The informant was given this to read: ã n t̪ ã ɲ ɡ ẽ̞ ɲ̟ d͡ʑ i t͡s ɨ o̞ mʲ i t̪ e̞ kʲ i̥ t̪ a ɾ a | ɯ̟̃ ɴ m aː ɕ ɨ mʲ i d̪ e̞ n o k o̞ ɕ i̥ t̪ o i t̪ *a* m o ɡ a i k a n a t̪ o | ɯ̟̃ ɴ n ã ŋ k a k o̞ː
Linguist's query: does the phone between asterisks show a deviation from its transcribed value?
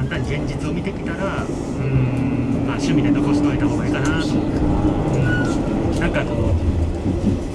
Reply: no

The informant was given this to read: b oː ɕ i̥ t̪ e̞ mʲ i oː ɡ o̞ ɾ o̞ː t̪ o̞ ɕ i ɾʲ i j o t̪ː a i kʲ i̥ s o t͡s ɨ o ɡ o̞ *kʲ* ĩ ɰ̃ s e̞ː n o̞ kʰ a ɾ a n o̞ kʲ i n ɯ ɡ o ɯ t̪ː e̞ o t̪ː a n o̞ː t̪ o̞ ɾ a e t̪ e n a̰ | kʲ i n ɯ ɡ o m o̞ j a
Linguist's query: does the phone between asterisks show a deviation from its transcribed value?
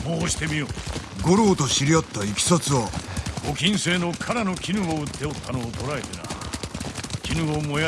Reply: no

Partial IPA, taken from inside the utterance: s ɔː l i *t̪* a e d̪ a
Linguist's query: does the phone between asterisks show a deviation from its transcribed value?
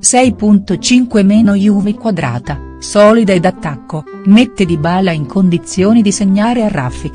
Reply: yes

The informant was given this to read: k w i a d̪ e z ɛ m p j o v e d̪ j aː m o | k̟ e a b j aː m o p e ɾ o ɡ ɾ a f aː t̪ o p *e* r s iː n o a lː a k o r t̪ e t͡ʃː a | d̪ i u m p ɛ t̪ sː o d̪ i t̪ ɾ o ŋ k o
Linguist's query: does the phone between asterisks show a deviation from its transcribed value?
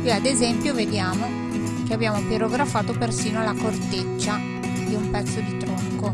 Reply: no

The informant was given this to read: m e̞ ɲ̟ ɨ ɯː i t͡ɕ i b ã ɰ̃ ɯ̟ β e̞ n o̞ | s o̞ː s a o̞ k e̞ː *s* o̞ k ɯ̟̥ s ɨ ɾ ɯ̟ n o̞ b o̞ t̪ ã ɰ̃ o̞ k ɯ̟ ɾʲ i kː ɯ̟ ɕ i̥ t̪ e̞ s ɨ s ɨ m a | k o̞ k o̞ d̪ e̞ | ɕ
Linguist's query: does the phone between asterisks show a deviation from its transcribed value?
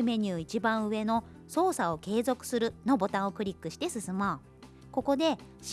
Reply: yes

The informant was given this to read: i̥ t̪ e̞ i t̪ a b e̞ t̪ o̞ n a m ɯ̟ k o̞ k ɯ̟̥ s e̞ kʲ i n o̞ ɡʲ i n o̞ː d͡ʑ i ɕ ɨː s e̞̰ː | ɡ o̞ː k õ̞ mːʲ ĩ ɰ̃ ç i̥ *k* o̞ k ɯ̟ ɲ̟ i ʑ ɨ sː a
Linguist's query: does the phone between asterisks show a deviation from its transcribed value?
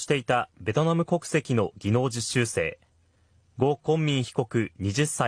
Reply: no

